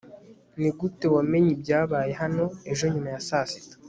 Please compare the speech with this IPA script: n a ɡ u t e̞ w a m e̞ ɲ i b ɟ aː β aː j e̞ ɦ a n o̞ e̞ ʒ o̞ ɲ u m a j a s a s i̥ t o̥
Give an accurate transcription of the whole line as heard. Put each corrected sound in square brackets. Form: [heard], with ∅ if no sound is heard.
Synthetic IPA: n [i] ɡ u t e̞ w a m e̞ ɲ i b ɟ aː β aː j e̞ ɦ a n o̞ e̞ ʒ o̞ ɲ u m a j a s a s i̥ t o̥